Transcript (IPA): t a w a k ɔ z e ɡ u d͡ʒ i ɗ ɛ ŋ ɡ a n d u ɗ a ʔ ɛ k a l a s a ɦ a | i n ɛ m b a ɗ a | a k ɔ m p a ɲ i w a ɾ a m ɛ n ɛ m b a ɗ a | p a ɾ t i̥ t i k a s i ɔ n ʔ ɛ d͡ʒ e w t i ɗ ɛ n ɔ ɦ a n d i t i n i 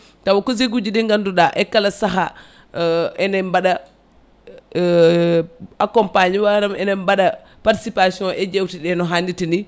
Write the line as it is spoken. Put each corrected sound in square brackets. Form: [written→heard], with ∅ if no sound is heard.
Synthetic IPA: t a w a k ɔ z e ɡ u d͡ʒ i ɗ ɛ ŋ ɡ a n d u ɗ a ʔ ɛ k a l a s a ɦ a | [i→ɛ] n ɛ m b a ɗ a | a k ɔ m p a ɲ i w a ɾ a m ɛ n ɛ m b a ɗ a | p a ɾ t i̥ [t→s] i [k→p] a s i ɔ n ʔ ɛ d͡ʒ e w t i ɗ ɛ n ɔ ɦ a n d i t i n i